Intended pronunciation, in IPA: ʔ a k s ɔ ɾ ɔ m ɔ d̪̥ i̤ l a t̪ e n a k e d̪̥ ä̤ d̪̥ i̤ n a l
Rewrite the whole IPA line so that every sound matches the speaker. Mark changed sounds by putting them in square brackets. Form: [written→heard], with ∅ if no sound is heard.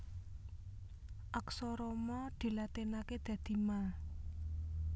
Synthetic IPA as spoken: ʔ a k s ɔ ɾ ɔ m ɔ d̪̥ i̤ l a t̪ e n a k e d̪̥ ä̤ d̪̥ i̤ [n→m] a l